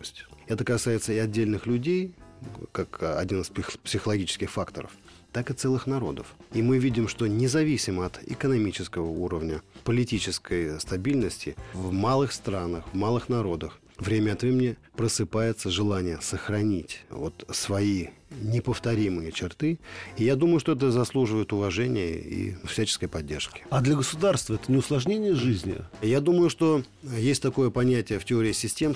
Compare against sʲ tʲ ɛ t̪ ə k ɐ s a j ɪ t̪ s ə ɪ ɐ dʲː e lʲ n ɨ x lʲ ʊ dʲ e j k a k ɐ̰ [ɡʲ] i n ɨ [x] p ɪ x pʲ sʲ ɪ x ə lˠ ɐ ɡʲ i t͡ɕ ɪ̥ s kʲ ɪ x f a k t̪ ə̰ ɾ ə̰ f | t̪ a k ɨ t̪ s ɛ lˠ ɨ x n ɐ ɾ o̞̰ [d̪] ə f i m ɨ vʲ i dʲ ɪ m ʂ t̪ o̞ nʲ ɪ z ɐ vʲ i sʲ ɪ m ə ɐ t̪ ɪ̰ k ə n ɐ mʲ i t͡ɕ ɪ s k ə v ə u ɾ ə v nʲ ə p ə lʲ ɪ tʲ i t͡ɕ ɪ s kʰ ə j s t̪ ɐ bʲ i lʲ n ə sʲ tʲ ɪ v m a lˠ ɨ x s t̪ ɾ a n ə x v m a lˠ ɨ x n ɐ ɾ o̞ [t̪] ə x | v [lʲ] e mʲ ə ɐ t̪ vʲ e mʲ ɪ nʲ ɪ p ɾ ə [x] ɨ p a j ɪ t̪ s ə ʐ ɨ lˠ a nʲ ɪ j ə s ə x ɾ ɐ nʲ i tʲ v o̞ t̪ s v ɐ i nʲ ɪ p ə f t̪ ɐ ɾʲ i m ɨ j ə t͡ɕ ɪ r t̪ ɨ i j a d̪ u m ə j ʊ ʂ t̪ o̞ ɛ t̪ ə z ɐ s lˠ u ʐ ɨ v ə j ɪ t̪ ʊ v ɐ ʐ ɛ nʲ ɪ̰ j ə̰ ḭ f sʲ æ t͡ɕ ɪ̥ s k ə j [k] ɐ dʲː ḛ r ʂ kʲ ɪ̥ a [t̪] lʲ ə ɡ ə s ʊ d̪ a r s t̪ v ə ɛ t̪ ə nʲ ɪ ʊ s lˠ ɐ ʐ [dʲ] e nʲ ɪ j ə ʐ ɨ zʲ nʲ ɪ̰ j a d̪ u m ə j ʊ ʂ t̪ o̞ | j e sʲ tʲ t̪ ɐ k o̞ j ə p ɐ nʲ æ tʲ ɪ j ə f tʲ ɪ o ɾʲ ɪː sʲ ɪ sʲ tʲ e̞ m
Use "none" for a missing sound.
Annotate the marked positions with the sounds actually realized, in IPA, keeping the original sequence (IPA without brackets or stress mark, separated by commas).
dʲ, s, d̪, d̪, ɾʲ, s, p, d̪, nʲ